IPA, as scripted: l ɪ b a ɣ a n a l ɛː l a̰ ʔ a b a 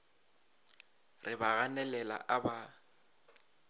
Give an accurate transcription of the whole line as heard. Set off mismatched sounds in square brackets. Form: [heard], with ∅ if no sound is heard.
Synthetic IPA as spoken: [r] ɪ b a ɣ a n [ɛ] l [ɛ] l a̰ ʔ a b a